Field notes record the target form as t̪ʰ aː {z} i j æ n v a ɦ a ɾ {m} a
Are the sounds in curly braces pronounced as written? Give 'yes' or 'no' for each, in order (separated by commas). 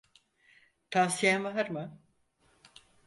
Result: no, yes